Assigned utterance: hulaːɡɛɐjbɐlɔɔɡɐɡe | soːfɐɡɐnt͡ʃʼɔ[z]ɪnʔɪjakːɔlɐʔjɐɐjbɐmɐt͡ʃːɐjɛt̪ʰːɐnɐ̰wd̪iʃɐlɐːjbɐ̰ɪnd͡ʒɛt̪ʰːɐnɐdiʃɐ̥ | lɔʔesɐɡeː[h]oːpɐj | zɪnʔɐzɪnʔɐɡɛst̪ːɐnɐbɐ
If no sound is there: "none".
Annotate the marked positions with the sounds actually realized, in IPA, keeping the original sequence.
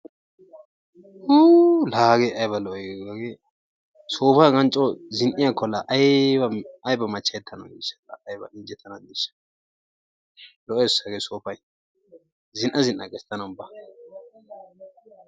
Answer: z, s

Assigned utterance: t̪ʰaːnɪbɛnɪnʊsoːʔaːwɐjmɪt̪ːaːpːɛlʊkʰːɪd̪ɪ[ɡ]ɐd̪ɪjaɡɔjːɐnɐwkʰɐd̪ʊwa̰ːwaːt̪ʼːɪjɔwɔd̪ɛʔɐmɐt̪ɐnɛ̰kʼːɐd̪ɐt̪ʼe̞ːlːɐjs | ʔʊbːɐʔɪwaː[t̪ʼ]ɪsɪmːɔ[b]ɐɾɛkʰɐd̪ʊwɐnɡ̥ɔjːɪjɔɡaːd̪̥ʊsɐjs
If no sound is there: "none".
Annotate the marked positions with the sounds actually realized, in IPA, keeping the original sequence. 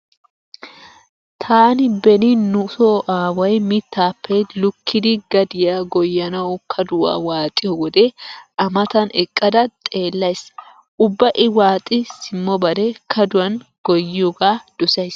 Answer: ɡ, t̪ʼ, b

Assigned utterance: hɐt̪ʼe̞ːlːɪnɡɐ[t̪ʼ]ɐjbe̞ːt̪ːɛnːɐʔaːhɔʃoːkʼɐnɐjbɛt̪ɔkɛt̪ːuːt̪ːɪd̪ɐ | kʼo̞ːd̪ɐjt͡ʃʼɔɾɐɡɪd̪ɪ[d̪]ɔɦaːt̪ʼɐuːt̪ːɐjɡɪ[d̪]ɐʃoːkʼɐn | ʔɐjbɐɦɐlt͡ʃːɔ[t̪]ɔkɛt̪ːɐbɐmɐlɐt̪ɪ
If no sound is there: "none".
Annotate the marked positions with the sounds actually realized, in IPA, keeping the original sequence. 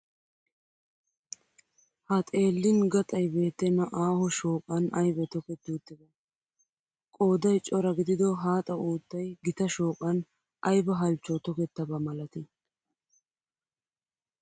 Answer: t̪ʼ, d̪, t̪, t̪

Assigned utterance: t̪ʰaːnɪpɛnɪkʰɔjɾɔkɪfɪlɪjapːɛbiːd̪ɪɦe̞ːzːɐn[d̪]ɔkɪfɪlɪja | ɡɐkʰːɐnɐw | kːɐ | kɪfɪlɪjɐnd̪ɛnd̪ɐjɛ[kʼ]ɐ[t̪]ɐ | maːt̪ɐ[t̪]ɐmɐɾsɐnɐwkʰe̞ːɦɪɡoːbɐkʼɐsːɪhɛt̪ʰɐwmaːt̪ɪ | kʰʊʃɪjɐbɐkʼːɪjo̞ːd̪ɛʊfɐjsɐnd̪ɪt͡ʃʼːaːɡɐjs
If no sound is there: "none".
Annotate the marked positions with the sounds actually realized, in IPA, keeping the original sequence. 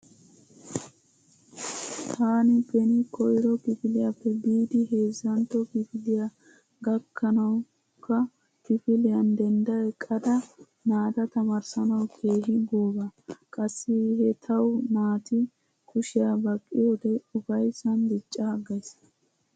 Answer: t̪, kʼ, d̪, t̪

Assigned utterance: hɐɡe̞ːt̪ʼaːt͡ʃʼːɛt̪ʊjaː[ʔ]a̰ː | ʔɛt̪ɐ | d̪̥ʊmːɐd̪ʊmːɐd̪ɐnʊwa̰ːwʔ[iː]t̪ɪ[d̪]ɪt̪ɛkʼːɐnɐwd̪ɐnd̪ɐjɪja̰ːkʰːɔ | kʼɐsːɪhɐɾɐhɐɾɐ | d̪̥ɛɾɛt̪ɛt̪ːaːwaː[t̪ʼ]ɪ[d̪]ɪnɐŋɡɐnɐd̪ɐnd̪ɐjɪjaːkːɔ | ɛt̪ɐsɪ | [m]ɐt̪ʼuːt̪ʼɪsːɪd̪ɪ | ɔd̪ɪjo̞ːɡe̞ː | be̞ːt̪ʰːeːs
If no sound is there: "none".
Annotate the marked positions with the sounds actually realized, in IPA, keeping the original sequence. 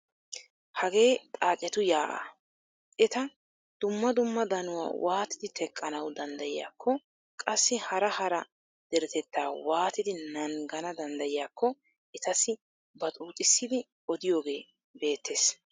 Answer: ʔ, aː, d̪, t̪, d̪, b

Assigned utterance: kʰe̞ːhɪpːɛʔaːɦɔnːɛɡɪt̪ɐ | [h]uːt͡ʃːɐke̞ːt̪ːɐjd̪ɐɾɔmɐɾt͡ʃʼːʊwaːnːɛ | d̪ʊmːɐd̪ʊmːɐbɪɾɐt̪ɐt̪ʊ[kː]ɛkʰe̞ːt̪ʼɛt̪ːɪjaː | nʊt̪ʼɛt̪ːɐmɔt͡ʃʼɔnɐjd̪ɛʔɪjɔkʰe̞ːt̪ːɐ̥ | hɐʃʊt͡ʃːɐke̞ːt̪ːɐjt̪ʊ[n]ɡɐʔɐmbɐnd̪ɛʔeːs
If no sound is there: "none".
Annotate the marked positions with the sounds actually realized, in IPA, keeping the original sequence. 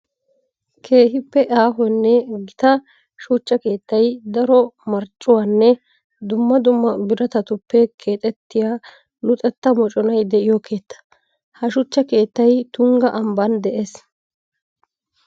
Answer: ʃ, pː, ŋ

